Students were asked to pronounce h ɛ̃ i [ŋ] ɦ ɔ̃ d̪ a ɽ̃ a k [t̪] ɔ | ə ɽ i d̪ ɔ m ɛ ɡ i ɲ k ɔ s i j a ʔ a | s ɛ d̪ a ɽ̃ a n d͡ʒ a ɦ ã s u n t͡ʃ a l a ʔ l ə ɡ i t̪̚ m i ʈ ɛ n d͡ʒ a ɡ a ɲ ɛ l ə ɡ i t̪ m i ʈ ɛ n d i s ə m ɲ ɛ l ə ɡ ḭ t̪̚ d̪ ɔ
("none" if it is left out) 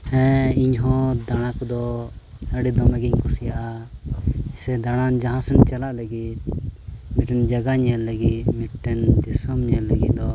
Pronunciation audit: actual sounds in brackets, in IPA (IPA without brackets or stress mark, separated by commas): ɲ, d̪